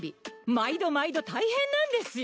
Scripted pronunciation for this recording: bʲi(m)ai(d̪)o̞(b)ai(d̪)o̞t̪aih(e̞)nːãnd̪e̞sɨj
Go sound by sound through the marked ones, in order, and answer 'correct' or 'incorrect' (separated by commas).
correct, correct, incorrect, correct, incorrect